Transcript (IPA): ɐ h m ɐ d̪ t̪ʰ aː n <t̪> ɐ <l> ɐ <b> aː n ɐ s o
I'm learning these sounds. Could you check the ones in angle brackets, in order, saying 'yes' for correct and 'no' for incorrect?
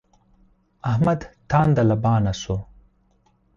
no, yes, yes

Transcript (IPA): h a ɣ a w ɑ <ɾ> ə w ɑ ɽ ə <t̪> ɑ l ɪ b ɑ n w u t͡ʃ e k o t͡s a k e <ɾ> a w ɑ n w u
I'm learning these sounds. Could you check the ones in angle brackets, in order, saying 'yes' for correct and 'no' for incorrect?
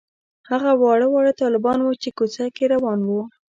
no, yes, yes

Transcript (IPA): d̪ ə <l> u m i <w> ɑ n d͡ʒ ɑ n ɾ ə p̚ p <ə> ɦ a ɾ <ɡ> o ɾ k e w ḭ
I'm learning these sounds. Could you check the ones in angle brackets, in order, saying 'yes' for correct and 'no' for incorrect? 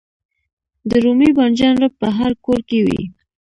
no, no, yes, no

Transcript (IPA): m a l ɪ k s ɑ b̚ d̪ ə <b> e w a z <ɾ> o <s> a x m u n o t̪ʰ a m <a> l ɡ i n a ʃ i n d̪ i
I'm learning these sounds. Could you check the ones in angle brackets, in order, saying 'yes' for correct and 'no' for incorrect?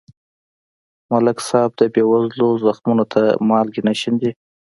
yes, no, no, no

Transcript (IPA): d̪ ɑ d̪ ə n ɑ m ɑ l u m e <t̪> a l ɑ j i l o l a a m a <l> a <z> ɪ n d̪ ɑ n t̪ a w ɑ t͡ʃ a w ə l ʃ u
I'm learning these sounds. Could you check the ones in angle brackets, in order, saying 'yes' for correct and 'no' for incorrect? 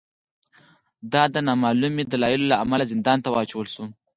no, yes, yes

